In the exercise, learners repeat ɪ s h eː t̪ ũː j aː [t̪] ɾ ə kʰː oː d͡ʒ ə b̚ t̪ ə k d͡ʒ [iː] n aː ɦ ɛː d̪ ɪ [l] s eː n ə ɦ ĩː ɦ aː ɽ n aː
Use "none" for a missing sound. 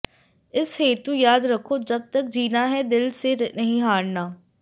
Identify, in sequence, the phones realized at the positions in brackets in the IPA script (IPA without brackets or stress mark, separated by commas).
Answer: d̪, iː, l